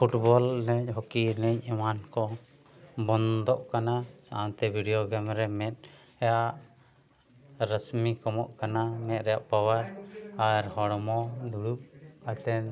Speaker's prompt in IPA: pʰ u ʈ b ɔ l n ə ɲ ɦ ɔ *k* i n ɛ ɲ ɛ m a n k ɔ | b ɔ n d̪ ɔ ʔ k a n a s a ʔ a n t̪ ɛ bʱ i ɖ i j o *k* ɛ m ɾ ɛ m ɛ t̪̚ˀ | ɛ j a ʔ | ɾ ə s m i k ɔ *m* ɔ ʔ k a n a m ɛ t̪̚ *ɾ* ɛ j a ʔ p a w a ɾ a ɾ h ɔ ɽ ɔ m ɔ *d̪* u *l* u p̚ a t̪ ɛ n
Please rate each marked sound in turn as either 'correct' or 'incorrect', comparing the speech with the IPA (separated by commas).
correct, incorrect, correct, correct, correct, incorrect